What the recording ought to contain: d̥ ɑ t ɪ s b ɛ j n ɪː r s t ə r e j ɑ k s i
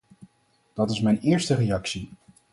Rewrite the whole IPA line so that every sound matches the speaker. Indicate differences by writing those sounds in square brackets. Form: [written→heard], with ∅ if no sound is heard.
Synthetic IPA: d̥ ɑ t ɪ s [b→m] ɛ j n ɪː [r→ɹ] s t ə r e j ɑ k s i